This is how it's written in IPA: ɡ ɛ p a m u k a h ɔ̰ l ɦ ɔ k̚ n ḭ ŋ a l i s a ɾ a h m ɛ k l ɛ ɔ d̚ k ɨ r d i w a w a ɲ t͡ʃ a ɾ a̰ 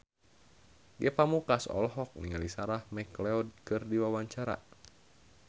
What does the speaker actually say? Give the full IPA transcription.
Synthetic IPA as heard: ɡ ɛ p a m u k a s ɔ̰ l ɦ ɔ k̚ n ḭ ŋ a l i s a ɾ a h m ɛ k l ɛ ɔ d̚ k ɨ r d i w a w a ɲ t͡ʃ a ɾ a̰